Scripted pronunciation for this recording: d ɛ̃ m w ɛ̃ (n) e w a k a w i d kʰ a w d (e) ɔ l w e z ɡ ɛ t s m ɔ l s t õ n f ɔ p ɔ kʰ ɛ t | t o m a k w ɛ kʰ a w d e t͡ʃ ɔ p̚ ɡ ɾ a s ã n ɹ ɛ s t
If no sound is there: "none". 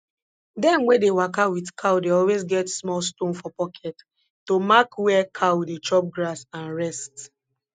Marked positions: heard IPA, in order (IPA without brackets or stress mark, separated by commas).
d, e